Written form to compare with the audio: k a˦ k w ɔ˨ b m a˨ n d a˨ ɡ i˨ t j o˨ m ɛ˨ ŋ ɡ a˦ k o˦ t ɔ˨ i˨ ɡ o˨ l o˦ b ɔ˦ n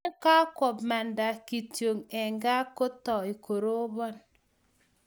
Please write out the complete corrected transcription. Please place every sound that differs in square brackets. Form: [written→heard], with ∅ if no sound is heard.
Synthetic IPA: k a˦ k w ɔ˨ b m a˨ n d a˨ [ɡ→k] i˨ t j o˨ [m→ŋ] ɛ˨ ŋ ɡ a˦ k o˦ t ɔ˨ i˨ [ɡ→k] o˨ [l→ɾ] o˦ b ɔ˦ n